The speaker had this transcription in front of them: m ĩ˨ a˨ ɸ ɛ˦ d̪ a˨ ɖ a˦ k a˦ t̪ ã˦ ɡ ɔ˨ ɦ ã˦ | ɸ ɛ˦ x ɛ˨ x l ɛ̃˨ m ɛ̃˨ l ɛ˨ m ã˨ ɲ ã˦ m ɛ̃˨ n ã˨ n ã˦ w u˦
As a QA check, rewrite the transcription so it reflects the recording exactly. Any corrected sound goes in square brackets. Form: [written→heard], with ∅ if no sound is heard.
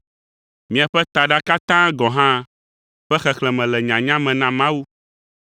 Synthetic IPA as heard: m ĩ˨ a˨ ɸ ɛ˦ [d̪→t̪] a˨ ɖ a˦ k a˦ t̪ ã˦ ɡ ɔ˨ ɦ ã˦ | ɸ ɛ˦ x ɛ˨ x l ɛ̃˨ m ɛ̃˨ l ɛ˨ [m→ɲ] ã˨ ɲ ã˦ m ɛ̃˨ n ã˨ [n→m] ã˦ w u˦